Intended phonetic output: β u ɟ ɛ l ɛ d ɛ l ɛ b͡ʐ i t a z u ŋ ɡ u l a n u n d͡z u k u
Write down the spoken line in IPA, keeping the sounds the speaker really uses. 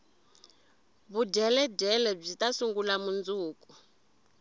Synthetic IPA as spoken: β u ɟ ɛ l ɛ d ɛ l ɛ b͡ʐ i t a s u ŋ ɡ u l a m u n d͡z uː k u

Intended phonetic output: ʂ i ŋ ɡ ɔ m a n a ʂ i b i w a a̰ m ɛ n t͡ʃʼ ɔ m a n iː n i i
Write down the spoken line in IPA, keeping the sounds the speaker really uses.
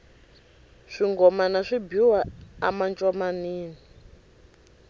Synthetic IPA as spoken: ʂ i ŋ ɡ ɔ m a n a ʂ i b i w a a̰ m a n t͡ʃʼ ɔ m a n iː n i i

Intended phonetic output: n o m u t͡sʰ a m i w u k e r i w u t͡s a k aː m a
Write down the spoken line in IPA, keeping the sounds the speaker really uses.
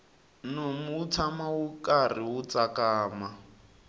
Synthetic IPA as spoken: n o m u t͡sʰ a m a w u k a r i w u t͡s a k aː m a

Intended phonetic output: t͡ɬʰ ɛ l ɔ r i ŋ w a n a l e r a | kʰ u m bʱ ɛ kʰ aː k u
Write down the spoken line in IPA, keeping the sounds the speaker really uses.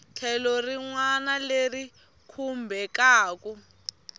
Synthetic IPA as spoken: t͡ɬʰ ɛ l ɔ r i ŋ w a n a l e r i | kʰ u m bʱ ɛ k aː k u

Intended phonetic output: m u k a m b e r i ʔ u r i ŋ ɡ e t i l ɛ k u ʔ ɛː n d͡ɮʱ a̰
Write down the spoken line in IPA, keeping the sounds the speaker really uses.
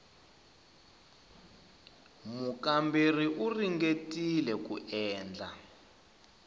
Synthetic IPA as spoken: m u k a m b e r i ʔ u r i ŋ ɡ e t i l ɛ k u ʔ ɛː n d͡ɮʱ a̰

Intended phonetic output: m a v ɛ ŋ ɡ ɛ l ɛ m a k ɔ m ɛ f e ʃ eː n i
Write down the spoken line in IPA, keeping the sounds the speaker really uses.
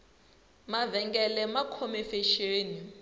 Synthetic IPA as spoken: m a v ɛ ŋ ɡ ɛ l ɛ m a kʰ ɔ m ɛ f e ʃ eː n i

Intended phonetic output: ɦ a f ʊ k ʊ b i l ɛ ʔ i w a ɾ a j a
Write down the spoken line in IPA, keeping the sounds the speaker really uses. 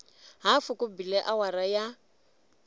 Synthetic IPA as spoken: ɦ a f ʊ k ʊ b i l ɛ ʔ a w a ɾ a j a

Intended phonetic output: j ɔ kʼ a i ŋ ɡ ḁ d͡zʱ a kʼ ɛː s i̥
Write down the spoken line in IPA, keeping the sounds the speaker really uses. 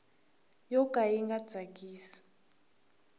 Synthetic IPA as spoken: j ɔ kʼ a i ŋ ɡ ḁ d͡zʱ a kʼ iː s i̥

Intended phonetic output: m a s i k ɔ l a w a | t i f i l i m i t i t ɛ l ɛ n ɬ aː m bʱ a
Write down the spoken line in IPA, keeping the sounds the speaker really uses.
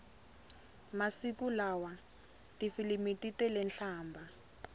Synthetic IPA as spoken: m a s i k u l a w a | t i f i l i m i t i t ɛ l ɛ n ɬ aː m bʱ a

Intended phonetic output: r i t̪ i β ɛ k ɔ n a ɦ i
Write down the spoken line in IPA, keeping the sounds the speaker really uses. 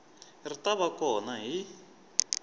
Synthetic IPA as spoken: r i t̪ a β a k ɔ n a ɦ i

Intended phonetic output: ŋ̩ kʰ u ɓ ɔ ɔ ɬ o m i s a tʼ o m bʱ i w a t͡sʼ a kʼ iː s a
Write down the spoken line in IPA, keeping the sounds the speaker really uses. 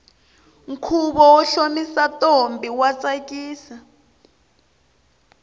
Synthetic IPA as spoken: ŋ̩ kʰ u ɓ ɔ ɔ ɬ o m i s a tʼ o m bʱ i w a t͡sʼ a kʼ iː s a

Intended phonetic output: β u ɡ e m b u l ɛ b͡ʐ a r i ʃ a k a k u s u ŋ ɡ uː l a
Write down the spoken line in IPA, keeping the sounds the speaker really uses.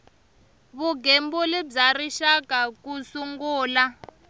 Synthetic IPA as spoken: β u ɡ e m b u l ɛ b͡ʐ a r i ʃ a k a k u s u ŋ ɡ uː l a

